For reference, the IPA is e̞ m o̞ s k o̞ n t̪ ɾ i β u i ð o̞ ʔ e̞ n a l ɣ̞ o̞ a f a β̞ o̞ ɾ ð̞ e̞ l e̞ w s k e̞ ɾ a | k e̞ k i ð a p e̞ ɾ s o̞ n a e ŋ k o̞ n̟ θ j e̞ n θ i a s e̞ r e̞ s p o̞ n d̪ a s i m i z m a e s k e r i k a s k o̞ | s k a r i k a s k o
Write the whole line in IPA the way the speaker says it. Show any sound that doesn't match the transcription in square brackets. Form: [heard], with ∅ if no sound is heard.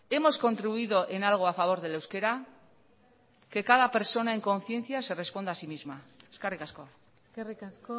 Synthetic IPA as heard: e̞ m o̞ s k o̞ n t̪ ɾ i β u i ð o̞ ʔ e̞ n a l ɣ̞ o̞ a f a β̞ o̞ ɾ ð̞ e̞ l e̞ w s k e̞ ɾ a | k e̞ k [a] ð a p e̞ ɾ s o̞ n a e ŋ k o̞ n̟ θ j e̞ n θ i a s e̞ r e̞ s p o̞ n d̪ a s i m i z m a e s k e r i k a s k o̞ | s k [e] r i k a s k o